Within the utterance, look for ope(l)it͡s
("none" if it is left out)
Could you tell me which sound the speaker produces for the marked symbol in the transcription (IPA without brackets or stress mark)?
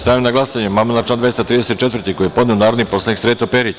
ɾ